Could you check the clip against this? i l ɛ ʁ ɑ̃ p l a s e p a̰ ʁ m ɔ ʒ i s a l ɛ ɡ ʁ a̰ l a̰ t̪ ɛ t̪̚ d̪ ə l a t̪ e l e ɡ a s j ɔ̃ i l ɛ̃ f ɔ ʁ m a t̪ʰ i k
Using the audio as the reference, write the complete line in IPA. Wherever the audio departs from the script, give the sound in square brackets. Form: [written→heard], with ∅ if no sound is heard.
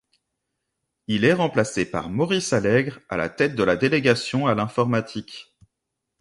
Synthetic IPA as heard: i l ɛ ʁ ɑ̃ p l a s e p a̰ ʁ m ɔ [ʒ→ʁ] i s a l ɛ ɡ ʁ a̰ l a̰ t̪ ɛ t̪̚ d̪ ə l a [t̪→d̪] e l e ɡ a s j ɔ̃ [i→a] l ɛ̃ f ɔ ʁ m a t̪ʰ i k